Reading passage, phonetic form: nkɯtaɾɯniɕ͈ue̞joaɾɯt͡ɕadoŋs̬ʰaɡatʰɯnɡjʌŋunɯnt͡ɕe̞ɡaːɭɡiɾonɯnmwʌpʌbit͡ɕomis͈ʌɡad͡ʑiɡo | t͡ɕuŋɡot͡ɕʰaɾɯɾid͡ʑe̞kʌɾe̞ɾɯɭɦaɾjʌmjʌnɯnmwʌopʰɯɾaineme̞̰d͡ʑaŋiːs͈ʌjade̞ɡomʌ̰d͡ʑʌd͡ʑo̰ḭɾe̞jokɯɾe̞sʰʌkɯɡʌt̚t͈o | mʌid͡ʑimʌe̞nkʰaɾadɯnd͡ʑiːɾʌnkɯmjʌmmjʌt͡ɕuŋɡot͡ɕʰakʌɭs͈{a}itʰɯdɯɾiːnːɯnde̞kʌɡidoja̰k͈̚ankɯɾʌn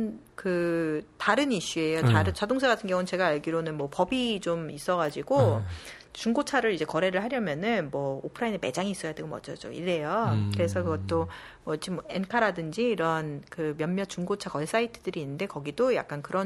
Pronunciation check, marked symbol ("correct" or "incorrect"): correct